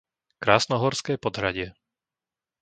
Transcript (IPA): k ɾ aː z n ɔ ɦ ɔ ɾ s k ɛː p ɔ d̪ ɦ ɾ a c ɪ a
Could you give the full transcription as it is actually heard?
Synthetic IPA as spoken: k ɾ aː s n ɔ ɦ ɔ ɾ s k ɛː p ɔ d̪ ɦ ɾ a ɟ ɪ ɛ